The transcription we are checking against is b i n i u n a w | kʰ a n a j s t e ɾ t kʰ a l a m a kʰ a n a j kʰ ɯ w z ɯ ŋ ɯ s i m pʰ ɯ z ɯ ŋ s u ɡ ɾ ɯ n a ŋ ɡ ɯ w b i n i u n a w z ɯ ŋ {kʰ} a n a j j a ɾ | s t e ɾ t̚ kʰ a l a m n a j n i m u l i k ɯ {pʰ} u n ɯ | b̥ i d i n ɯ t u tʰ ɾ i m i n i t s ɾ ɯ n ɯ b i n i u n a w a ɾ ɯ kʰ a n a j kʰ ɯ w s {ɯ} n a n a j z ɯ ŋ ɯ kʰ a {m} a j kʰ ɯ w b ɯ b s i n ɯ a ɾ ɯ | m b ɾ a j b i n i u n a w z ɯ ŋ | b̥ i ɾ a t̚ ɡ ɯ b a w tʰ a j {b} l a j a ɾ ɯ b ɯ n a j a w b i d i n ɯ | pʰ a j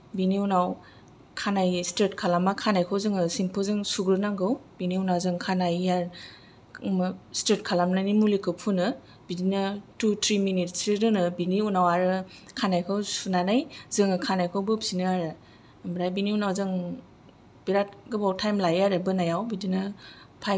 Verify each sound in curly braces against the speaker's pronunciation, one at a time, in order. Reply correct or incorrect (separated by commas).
correct, correct, incorrect, incorrect, incorrect